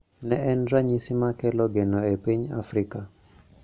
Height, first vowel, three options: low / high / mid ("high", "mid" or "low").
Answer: mid